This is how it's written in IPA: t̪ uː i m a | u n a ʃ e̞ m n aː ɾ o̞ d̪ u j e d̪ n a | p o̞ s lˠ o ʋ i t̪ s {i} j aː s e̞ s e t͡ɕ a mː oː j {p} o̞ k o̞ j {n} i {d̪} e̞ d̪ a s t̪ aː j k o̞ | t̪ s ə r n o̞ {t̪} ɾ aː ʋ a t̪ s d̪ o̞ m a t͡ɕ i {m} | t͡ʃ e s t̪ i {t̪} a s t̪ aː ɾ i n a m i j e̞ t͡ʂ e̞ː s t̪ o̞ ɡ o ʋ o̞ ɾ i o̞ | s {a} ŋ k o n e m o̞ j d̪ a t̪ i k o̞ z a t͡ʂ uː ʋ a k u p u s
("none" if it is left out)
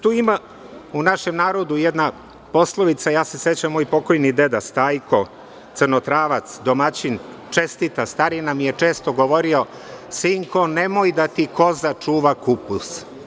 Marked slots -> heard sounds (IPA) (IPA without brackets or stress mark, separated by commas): a, p, n, d̪, t̪, n, t̪, i